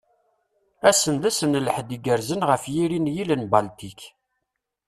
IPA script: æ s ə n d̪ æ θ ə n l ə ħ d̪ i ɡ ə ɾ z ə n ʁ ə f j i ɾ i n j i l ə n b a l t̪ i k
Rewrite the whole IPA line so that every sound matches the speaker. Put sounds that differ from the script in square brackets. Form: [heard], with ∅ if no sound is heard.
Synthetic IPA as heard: æ s ə n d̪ æ [s] ə n l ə ħ d̪ i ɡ ə ɾ z ə n ʁ ə f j i ɾ i n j i l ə n b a l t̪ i k